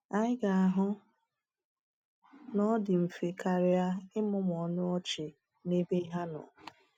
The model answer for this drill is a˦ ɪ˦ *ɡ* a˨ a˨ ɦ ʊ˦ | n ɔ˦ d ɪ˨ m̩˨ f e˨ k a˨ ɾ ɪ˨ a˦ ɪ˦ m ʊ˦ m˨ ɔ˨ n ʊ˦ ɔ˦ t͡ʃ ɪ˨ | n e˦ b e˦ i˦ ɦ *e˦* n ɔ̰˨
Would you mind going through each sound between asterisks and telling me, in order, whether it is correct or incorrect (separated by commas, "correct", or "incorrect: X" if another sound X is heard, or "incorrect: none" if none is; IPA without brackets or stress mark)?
correct, incorrect: a˦